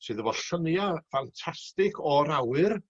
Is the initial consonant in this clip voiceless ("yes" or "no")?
yes